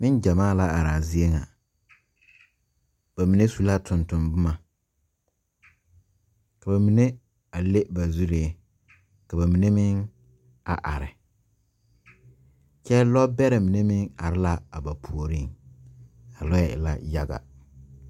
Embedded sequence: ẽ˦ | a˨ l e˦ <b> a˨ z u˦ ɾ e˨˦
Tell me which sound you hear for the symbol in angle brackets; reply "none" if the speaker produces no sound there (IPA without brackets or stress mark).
b